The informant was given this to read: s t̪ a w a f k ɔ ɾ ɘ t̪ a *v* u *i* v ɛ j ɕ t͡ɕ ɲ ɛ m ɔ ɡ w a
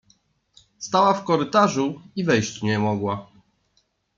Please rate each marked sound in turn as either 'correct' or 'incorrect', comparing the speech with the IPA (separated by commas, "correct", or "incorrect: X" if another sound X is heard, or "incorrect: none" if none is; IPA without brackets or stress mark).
incorrect: ʐ, correct